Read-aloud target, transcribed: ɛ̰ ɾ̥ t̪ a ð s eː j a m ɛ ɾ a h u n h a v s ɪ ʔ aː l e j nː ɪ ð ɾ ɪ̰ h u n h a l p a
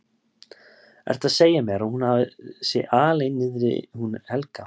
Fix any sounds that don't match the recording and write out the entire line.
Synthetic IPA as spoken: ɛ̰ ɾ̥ t̪ a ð s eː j a m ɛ ɾ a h u n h a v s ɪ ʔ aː l e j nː ɪ ð ɾ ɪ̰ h u n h ɛ l k a

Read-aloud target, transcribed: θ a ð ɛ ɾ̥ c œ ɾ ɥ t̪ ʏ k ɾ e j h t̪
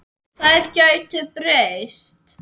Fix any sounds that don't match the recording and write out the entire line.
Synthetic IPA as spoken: θ a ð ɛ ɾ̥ c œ ɥ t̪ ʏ p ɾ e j s t̪

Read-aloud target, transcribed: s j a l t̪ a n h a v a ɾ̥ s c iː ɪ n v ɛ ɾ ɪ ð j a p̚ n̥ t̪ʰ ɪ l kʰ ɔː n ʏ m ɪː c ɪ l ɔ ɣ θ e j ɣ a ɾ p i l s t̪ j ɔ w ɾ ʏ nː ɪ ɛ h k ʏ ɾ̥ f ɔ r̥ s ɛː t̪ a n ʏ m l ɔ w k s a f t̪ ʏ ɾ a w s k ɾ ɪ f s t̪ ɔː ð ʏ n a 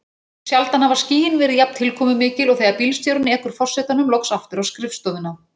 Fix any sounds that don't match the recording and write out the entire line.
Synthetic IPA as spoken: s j a l t̪ a n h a v a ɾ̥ s c iː ɪ n v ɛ ɾ ɪ ð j a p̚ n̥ t̪ʰ ɪ l kʰ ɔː m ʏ m ɪː c ɪ l ɔ ɣ θ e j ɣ a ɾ p i l s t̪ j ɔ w ɾ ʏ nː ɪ ɛ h k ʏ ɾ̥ f ɔ r̥ s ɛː t̪ a n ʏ m l ɔ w k s a f t̪ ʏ ɾ a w s k ɾ ɪ f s t̪ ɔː ð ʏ n a

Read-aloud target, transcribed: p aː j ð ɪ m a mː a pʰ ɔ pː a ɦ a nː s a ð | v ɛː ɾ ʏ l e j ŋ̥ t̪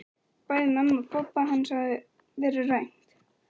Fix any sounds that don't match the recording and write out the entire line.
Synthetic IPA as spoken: p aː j ð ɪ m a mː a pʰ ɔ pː a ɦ a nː s a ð | v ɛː ɾ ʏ r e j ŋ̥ t̪

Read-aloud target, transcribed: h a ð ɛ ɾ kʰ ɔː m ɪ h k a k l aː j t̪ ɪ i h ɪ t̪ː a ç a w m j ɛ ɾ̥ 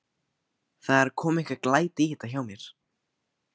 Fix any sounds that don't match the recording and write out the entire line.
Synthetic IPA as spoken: θ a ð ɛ ɾ kʰ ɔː m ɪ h k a k l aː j t̪ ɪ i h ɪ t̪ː a ç a w m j ɛ ɾ̥

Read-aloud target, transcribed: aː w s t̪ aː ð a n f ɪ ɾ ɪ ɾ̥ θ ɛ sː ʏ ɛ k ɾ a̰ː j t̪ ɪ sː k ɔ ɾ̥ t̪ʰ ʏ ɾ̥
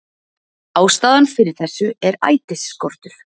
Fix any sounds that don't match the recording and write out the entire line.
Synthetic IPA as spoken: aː w s t̪ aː ð a n f ɪ ɾ ɪ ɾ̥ θ ɛ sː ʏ ɛ ɾ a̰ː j t̪ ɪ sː k ɔ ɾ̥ t̪ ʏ ɾ̥

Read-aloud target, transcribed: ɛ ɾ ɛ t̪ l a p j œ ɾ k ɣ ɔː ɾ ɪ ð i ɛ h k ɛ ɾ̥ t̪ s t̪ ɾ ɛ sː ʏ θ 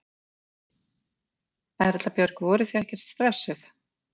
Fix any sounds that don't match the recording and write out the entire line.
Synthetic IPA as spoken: ɛ ɾ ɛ t̪ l a p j œ ɾ k v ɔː ɾ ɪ θ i ɛ h c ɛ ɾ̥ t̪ s t̪ ɾ ɛ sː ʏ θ

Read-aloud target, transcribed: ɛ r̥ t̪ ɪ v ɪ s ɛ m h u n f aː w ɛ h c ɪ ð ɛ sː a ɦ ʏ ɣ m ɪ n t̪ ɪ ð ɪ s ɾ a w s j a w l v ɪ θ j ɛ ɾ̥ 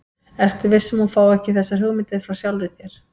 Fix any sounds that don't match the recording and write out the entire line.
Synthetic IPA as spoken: ɛ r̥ t̪ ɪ v ɪ s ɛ m h u n f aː w ɛ h c ɪ θ ɛ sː a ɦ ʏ ɣ m ɪ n t̪ ɪ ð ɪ f ɾ a w s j a w l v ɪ θ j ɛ ɾ̥

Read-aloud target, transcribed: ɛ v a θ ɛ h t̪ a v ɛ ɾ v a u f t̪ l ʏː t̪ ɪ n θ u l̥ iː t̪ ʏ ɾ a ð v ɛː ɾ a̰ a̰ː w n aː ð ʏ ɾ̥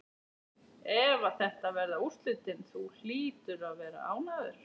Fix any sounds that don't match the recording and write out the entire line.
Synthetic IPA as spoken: ɛ v a θ ɛ h t̪ a v ɛ ɾ ð a u s t̪ l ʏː t̪ ɪ n θ u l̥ iː t̪ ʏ ɾ a ð v ɛː ɾ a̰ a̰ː w n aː ð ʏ ɾ̥

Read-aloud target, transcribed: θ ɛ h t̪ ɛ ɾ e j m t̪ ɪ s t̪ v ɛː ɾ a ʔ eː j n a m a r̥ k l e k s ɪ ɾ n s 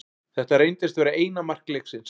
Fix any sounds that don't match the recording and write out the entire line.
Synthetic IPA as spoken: θ ɛ h t̪ a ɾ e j n t̪ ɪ s t̪ v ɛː ɾ a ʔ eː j n a m a r̥ k l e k s ɪ n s

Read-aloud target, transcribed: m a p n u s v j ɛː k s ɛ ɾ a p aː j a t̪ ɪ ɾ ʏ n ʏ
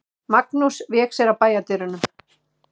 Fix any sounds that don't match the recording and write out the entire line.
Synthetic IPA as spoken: m a k n u s v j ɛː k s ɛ ɾ a p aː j a t̪ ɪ ɾ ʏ n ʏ

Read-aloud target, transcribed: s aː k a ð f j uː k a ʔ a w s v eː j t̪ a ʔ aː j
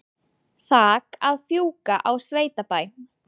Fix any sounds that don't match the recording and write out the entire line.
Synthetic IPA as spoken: θ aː k a ð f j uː k a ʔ a w s v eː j t̪ a p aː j

